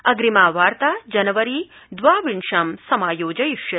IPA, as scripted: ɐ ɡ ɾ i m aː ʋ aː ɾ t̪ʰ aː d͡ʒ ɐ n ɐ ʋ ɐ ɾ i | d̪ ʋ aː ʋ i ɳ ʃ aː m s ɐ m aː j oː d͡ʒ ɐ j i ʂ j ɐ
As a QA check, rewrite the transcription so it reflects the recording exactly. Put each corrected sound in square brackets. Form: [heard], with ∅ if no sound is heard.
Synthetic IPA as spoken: ɐ ɡ ɾ i m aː ʋ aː ɾ [t̪] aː d͡ʒ ɐ n ɐ ʋ ɐ ɾ i | d̪ ʋ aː ʋ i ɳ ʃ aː m s ɐ m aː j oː d͡ʒ ɐ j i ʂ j ɐ